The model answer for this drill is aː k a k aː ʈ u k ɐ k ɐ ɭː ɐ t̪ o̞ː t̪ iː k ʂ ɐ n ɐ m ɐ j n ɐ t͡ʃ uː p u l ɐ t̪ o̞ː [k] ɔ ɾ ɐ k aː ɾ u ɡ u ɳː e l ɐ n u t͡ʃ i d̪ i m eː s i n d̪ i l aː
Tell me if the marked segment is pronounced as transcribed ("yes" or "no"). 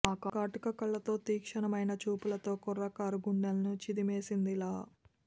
yes